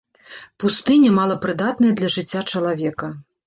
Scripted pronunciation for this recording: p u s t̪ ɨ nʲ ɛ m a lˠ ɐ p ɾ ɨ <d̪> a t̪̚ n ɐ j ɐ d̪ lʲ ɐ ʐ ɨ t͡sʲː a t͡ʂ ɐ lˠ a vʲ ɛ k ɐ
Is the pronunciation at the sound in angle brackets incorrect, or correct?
correct